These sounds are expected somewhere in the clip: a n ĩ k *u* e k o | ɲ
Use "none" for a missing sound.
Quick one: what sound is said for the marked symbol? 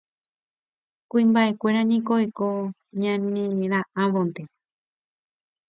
o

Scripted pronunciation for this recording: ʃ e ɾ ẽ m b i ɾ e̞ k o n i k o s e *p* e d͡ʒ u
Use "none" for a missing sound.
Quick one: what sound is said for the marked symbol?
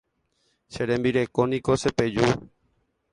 p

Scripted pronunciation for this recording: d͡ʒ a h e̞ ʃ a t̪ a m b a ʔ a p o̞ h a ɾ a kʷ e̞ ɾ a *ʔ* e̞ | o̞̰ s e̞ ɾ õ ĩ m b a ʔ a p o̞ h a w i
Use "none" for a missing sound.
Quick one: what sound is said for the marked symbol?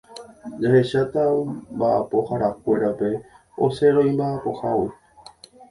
p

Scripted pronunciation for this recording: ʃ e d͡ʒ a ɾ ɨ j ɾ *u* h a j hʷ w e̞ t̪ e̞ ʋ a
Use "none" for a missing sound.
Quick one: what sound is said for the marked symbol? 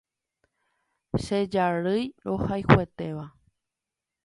o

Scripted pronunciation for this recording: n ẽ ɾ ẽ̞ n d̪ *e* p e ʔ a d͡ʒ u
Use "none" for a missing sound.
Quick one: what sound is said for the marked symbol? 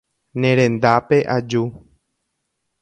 a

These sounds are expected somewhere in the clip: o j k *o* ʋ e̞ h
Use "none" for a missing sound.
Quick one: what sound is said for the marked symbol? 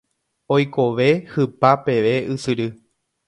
o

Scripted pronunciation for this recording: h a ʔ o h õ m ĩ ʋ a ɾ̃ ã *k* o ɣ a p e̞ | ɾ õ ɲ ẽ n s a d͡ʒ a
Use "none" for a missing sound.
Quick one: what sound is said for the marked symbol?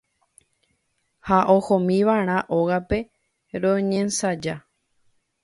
ʔ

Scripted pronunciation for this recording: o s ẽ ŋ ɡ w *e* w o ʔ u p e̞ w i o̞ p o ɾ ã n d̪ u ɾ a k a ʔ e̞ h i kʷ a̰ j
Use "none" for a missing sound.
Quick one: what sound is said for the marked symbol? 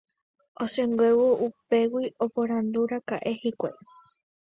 e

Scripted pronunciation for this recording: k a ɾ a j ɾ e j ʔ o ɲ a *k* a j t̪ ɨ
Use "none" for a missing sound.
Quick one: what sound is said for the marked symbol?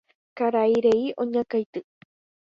k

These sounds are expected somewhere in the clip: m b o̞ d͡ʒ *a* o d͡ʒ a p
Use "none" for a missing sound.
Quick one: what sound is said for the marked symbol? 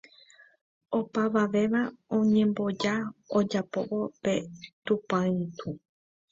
a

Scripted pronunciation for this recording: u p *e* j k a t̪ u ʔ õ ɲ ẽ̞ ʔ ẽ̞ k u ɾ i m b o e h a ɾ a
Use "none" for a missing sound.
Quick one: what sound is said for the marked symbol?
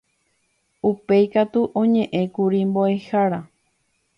e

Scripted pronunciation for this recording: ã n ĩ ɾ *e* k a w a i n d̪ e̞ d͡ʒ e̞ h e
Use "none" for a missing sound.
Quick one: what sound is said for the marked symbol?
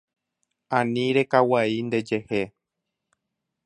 e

